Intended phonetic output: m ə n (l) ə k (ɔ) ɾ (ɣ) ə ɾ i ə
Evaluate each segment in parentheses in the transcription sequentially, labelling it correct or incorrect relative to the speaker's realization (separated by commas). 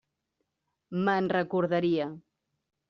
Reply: incorrect, incorrect, incorrect